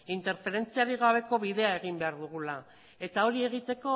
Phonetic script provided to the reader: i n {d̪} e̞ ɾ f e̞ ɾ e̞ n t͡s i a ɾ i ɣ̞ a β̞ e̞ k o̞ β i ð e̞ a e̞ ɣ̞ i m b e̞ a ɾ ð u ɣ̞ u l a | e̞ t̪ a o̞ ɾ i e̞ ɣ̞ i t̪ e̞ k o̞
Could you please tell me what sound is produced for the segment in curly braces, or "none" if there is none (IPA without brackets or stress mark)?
t̪